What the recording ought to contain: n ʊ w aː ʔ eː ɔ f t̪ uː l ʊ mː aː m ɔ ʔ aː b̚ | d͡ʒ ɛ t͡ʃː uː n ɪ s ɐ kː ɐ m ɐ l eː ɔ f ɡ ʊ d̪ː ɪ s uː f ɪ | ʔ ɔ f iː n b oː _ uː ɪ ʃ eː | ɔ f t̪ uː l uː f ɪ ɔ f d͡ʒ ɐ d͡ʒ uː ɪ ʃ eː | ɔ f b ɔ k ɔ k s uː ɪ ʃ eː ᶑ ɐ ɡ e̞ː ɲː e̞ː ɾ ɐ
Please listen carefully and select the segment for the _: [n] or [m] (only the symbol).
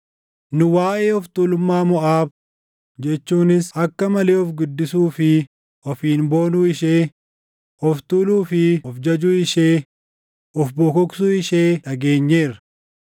n